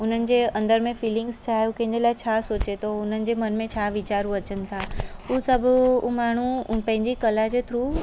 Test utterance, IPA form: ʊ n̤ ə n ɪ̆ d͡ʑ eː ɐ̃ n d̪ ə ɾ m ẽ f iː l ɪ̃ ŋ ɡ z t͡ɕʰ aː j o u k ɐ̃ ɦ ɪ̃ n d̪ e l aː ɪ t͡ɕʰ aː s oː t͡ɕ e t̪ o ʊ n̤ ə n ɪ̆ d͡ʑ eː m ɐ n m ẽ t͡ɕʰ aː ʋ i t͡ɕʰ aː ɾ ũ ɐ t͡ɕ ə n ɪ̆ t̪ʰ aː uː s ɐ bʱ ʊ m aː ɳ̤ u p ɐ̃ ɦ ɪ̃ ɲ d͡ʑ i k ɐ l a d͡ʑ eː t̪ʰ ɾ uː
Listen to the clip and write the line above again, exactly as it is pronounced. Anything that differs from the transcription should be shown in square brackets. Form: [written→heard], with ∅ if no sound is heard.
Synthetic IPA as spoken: ʊ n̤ ə n ɪ̆ d͡ʑ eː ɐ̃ n d̪ ə ɾ m ẽ f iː l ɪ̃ ŋ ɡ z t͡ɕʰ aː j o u k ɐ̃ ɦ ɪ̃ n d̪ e l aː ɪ t͡ɕʰ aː s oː t͡ɕ e t̪ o ʊ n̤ ə n ɪ̆ d͡ʑ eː m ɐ n m ẽ t͡ɕʰ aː ʋ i [t͡ɕʰ→t͡ɕ] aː ɾ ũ ɐ t͡ɕ ə n ɪ̆ t̪ʰ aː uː s ɐ bʱ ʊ m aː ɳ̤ u p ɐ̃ ɦ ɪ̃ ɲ d͡ʑ i k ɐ l a d͡ʑ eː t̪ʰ ɾ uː